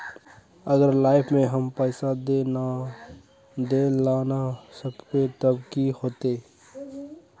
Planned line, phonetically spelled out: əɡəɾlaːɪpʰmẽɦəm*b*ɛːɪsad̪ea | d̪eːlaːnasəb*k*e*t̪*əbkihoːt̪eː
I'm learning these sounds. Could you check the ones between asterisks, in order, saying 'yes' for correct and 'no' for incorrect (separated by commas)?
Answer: no, yes, yes